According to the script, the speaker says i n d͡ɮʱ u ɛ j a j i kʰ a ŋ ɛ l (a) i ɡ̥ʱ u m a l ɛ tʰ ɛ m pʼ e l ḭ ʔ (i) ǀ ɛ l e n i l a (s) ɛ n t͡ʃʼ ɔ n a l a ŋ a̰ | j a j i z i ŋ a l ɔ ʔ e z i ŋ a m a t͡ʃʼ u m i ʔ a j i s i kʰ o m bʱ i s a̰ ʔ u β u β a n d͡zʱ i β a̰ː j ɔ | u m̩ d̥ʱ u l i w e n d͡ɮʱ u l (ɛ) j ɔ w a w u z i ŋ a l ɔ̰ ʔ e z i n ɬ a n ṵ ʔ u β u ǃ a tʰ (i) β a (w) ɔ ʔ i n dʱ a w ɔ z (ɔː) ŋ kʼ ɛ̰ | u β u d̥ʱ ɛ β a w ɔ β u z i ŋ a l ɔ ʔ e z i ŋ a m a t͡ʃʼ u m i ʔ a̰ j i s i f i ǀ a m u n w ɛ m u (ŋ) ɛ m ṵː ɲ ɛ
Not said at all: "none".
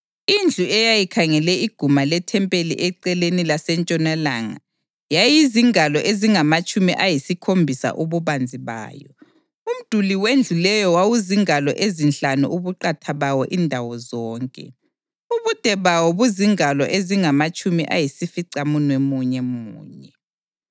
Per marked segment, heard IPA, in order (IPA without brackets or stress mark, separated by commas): ɛ, ɛ, s, ɛ, a, w, ɔː, ɲ